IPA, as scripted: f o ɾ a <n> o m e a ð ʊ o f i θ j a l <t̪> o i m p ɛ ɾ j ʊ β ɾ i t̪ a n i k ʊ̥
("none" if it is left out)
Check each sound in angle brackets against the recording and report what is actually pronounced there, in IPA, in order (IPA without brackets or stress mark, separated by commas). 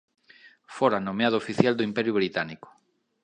n, d̪